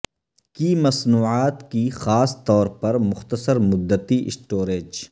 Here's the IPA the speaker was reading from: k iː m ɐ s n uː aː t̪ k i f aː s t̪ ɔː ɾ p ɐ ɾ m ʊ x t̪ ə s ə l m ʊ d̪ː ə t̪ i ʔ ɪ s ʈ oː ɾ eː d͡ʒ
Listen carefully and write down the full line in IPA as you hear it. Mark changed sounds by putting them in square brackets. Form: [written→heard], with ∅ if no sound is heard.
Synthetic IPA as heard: k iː m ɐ s n uː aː t̪ k i [f→x] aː s t̪ ɔː ɾ p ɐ ɾ m ʊ x t̪ ə s ə [l→ɾ] m ʊ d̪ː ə t̪ i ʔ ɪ s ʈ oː ɾ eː d͡ʒ